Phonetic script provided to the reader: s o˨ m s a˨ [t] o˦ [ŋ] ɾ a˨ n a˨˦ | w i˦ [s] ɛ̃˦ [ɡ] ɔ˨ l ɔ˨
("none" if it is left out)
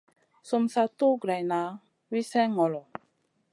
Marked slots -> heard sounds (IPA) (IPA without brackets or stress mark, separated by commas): t, ɡ, s, ŋ